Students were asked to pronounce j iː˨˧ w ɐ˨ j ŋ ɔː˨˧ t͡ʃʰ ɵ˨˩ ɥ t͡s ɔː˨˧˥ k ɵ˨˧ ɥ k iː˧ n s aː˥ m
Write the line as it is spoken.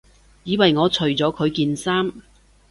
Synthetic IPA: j iː˨˧ w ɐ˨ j ŋ ɔː˨˧ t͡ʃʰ ɵ˨˩ ɥ t͡s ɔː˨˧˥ kʰ ɵ˨˧ ɥ k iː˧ n s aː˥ m